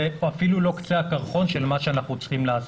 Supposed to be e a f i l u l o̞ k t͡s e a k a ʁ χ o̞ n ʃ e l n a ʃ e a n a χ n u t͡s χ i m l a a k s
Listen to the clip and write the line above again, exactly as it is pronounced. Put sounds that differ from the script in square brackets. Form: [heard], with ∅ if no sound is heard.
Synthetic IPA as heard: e a f i l u l o̞ k t͡s e a k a ʁ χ o̞ n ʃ e l [m] a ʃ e a n a χ n u t͡s χ i m l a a [∅] s